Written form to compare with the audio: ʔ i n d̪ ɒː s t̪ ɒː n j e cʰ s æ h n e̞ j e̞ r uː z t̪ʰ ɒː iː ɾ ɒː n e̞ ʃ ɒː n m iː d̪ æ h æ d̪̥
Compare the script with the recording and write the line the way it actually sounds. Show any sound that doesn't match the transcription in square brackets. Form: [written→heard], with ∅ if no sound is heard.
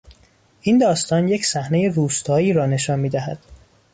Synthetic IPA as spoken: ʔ i n d̪ ɒː s t̪ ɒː n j e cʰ s æ h n e̞ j e̞ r uː [z→s] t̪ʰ ɒː iː ɾ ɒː n e̞ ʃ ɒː n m iː d̪ æ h æ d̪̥